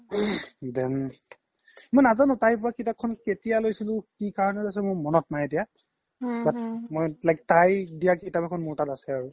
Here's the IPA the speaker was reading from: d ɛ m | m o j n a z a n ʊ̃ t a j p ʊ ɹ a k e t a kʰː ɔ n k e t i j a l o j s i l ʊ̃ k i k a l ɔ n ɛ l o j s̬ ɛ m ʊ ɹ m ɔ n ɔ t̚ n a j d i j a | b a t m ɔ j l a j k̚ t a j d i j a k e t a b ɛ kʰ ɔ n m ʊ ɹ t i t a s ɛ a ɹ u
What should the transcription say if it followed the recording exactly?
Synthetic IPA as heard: d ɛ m | m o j n a z a n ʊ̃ t a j p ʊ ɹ a k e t a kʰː ɔ n k e t i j a l o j s i l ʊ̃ k i k a ɹ ɔ n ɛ l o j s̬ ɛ m ʊ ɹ m ɔ n ɔ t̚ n a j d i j a | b a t m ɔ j l a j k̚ t a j d i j a k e t a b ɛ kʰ ɔ n m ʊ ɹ t a t a s ɛ a ɹ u